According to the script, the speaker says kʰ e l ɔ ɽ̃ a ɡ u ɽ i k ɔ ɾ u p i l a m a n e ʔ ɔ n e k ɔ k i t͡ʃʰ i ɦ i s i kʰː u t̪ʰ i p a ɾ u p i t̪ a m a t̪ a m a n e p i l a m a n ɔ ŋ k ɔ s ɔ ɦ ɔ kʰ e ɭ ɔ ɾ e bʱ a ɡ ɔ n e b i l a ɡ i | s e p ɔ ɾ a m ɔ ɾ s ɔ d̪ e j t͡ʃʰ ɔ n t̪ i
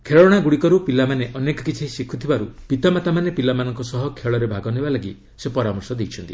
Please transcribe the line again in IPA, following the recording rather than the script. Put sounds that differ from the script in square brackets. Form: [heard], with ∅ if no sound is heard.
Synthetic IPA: kʰ e [ɭ] ɔ ɽ̃ a ɡ u ɽ i k ɔ ɾ u p i l a m a n e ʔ ɔ n e k ɔ k i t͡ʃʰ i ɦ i s i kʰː u t̪ʰ i [b] a ɾ u p i t̪ a m a t̪ a m a n e p i l a m a n ɔ ŋ k ɔ s ɔ ɦ ɔ kʰ e ɭ ɔ ɾ e bʱ a ɡ ɔ n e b [a] l a ɡ i | s e p ɔ ɾ a m ɔ ɾ s ɔ d̪ e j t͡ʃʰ ɔ n t̪ i